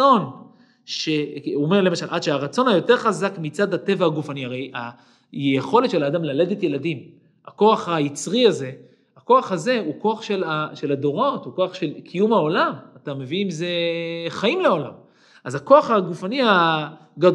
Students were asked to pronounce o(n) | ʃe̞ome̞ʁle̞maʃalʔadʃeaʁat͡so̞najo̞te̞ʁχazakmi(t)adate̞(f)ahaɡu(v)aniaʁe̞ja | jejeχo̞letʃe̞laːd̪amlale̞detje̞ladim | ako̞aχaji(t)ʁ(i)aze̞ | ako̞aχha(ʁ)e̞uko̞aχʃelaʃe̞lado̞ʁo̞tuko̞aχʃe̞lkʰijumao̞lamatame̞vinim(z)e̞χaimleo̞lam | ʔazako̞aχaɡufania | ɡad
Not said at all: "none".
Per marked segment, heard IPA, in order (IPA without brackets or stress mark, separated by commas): n, t͡s, v, f, t͡s, i, z, z